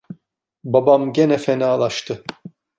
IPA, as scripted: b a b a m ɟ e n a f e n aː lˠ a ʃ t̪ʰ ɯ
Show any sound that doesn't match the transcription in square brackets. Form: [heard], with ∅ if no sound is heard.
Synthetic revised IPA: b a b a m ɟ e n [ɛ] f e n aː lˠ a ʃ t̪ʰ ɯ